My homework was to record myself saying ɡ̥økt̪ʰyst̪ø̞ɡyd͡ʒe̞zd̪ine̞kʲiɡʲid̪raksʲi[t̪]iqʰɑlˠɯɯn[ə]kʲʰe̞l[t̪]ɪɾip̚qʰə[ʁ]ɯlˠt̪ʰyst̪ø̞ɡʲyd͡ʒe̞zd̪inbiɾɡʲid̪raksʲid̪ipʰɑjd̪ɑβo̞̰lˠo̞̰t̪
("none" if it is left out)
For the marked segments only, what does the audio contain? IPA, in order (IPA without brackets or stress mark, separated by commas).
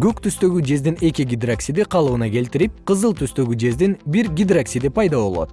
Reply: d̪, ɑ, t̪, z